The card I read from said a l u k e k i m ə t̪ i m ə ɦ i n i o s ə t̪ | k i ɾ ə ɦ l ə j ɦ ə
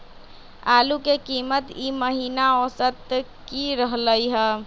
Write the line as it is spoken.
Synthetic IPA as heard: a l u k e k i m ə t̪ i m ə ɦ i n a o s ə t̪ | k i ɾ ə ɦ l ə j ɦ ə